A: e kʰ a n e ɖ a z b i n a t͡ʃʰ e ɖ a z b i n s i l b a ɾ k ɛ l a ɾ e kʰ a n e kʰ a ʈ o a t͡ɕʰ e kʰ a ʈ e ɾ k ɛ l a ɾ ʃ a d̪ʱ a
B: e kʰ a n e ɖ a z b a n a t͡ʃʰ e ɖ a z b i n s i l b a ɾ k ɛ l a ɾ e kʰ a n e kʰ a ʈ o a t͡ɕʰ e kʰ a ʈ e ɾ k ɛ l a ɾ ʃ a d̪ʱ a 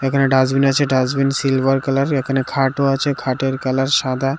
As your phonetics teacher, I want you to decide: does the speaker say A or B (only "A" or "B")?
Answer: A